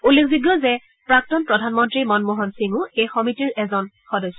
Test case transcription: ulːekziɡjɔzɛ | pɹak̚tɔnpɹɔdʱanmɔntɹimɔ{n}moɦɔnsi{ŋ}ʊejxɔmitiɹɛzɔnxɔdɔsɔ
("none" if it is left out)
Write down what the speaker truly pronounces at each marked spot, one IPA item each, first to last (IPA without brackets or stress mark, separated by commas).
n, ŋ